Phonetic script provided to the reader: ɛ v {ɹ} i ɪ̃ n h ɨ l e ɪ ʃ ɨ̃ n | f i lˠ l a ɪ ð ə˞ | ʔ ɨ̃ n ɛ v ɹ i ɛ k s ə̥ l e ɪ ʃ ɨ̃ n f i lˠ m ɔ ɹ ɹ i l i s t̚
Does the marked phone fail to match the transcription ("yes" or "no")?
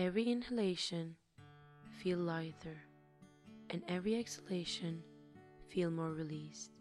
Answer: no